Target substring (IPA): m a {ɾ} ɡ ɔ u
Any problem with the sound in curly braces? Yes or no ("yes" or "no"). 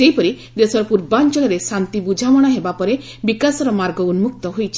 no